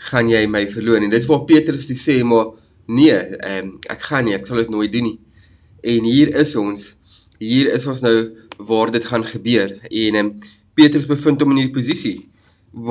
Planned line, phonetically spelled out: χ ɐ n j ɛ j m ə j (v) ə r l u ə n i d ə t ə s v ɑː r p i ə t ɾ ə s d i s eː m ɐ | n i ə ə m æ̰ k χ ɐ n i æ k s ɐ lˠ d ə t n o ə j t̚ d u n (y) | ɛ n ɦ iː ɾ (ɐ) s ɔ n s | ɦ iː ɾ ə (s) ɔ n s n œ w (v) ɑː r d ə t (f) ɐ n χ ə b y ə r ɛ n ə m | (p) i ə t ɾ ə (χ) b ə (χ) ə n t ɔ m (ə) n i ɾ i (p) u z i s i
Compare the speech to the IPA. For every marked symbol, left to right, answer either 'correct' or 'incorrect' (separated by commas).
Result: incorrect, incorrect, incorrect, correct, correct, incorrect, correct, incorrect, incorrect, correct, correct